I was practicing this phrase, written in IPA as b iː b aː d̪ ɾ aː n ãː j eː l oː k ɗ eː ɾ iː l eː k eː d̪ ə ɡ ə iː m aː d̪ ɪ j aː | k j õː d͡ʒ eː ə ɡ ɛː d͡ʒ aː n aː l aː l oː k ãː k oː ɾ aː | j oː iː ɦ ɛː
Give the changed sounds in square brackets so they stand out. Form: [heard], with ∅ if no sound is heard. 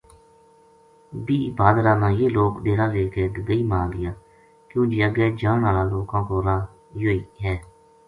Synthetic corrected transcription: b iː b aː d̪ ɾ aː n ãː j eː l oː k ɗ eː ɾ [aː] l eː k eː d̪ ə ɡ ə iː m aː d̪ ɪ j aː | k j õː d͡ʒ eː ə ɡ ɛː d͡ʒ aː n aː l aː l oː k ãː k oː ɾ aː | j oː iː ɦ ɛː